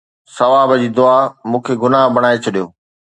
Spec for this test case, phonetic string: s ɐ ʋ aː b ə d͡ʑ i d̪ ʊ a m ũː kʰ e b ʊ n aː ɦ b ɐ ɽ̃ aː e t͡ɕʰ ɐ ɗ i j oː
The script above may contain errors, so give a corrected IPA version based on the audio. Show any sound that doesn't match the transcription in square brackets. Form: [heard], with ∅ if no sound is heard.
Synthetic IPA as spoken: s ɐ ʋ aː b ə d͡ʑ [iː] d̪ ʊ a m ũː kʰ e [ɡ] ʊ n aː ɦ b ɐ ɽ̃ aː e t͡ɕʰ ɐ ɗ i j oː